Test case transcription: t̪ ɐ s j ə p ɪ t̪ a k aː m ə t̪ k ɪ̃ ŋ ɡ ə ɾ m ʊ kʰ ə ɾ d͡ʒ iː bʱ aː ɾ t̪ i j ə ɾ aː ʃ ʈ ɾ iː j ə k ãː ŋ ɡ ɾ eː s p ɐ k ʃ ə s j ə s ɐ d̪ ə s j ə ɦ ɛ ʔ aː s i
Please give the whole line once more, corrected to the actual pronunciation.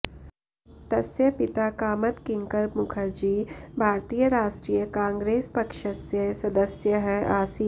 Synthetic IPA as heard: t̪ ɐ s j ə p ɪ t̪ a k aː m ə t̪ k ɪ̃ ŋ k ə ɾ m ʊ kʰ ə ɾ d͡ʒ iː bʱ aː ɾ t̪ i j ə ɾ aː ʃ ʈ ɾ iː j ə k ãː ŋ ɡ ɾ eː s p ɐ k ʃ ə s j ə s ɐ d̪ ə s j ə ɦ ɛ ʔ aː s i